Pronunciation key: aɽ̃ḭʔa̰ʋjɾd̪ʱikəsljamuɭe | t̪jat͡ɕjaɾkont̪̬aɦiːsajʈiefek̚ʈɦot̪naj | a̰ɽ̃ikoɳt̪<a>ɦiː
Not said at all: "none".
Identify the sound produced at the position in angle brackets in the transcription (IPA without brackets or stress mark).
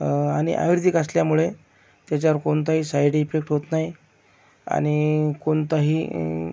a